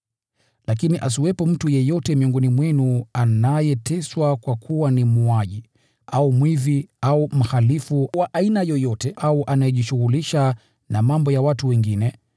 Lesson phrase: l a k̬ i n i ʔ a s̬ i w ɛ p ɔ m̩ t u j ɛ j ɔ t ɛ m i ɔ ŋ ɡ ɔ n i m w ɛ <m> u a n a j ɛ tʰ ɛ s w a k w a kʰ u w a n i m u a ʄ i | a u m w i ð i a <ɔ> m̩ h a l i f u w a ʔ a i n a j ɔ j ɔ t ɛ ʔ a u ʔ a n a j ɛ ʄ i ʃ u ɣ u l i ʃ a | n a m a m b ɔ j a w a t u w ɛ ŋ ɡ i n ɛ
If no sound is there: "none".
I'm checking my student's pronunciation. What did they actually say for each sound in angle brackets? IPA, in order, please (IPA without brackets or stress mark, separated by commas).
n, u